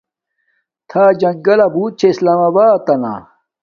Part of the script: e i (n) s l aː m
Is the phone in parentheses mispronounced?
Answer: yes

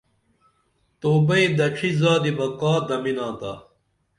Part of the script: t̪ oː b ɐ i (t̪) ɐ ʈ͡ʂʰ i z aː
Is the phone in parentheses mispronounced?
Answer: yes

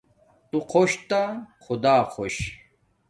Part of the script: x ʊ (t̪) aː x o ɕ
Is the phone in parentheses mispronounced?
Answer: yes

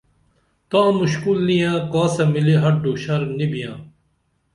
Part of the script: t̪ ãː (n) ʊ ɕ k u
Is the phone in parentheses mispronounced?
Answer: yes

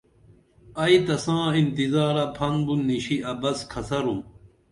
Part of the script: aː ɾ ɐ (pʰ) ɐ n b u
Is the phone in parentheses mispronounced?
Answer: no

